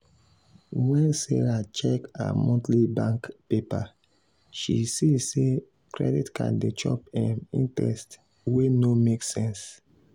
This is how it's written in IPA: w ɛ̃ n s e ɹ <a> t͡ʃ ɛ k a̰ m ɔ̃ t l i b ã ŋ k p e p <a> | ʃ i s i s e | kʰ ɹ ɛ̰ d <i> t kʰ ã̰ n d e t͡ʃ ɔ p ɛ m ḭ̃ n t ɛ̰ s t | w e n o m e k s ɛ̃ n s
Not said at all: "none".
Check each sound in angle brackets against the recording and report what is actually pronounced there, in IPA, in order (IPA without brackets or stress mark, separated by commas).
a, a, i